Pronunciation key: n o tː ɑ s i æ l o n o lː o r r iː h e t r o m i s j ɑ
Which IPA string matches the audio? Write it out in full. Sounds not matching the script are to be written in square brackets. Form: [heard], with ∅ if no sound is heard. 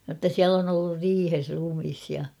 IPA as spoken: n o tː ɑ s i æ l o n o lː [u] r r iː h e [s] r [u] m i s j ɑ

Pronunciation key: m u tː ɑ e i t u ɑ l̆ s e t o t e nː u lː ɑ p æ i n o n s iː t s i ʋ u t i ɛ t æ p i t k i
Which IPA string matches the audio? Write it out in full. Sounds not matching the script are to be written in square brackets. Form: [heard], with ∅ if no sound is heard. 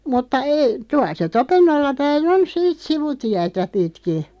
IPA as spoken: m u tː ɑ e i t u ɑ l̆ s e t o [p] e nː [o] lː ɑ p æ i n o n s iː t s i ʋ u t i [æ] t æ p i t k i

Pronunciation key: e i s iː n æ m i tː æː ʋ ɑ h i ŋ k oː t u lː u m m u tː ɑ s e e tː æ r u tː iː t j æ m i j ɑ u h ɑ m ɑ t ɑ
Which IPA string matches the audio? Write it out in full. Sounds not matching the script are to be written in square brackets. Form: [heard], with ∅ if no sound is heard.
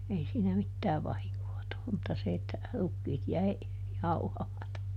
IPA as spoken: e i s iː n æ m i tː æː ʋ ɑ h i ŋ k oː t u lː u m m u tː ɑ s e e tː æ r u [kː] iː t j æ [∅] i j ɑ u h ɑ m ɑ t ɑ

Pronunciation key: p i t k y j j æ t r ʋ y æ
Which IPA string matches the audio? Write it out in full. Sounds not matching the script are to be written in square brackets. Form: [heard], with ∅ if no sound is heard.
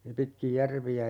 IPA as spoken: p i t k [i] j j æ [∅] r ʋ [i] æ

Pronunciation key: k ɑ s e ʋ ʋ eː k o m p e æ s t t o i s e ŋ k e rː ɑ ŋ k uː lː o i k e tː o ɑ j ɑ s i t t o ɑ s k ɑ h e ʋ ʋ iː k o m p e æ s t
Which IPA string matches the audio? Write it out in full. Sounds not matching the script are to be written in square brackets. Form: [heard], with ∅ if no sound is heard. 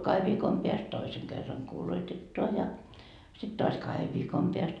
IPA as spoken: k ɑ [h] e ʋ ʋ [iː] k o m p e æ s t t o i s e ŋ k e rː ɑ ŋ k uː [l] o i [t] e tː o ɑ j ɑ s i t t o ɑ s k ɑ h e ʋ ʋ iː k o m p e æ s t

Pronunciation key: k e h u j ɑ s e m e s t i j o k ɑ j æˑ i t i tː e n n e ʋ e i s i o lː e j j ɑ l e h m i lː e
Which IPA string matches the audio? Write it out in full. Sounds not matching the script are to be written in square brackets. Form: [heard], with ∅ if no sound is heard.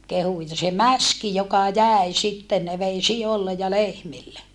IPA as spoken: k e h u j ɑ s e m [æ] s [k] i j o k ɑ j æˑ i [s] i tː e n n e ʋ e i s i o lː e j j ɑ l e h m i lː e

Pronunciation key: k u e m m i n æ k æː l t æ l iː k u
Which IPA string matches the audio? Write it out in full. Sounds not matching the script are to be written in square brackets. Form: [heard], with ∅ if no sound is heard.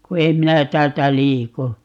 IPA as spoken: k u e m m i n æ [t] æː l t æ l iː k u

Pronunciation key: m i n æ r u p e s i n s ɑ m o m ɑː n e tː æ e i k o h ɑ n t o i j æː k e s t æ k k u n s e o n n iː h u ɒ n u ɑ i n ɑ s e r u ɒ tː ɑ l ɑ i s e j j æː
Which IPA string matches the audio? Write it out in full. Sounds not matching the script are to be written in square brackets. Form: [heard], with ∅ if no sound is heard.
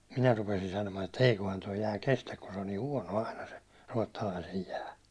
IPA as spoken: m i n æ r u p e s i n s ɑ [n] o m ɑː n e tː æ e i k o h ɑ n t o i j æː k e s t æ k k u n s e o n n iː h u ɒ n [o] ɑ i n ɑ s e r u ɒ tː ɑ l ɑ i s e j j æː

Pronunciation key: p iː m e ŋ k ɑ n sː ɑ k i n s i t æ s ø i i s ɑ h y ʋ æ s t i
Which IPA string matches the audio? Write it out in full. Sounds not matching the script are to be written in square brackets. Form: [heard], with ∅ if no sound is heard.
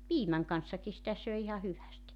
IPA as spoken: p iː m [æ] ŋ k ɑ n sː ɑ k i [∅] s i t æ s ø i i [h] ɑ h y ʋ æ s t i

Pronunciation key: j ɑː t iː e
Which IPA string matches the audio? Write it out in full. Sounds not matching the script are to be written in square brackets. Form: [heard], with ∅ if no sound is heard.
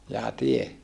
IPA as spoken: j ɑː t [i] e

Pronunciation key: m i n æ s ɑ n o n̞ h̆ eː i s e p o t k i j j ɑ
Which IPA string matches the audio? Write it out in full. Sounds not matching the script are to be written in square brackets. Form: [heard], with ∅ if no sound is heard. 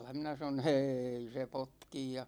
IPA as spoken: m i n æ s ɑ n o n̞ h̆ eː i s e p o t k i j j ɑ

